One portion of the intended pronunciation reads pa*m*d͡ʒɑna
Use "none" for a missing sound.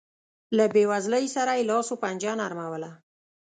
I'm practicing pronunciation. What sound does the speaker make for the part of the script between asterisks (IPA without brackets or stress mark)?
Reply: n